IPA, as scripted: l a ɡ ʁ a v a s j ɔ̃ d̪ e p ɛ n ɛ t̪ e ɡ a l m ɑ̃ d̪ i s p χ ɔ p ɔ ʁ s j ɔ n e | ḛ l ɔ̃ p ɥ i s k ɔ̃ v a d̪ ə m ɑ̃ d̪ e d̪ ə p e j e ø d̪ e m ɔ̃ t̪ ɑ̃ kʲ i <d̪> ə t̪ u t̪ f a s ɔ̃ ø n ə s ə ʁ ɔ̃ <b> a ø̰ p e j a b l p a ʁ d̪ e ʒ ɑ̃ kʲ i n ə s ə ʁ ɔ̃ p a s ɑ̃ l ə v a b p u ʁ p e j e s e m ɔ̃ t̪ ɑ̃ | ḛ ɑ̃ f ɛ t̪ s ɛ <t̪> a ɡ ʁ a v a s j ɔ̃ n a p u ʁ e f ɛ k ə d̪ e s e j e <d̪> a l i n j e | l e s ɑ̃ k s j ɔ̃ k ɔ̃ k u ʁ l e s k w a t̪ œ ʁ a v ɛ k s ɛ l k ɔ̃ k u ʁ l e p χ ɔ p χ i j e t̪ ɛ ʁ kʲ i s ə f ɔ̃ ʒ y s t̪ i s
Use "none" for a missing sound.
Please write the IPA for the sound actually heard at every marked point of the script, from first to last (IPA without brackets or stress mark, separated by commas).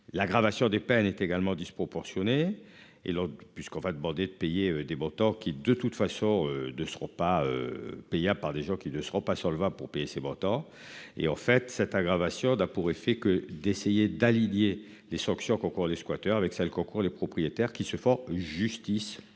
d̪, p, t̪, d̪